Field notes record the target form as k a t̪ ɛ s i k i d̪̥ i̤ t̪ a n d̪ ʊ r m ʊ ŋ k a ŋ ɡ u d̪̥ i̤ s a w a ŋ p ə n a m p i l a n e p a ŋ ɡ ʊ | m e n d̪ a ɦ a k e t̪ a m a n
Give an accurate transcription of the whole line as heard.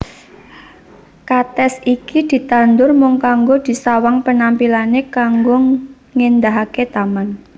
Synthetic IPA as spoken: k a t̪ ɛ s i k i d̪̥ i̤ t̪ a n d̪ ʊ r m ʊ ŋ k a ŋ ɡ o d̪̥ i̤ s a w a ŋ p ə n a m p i l a n e k a ŋ ɡ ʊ | ŋ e n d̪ a ɦ a k e t̪ a m a n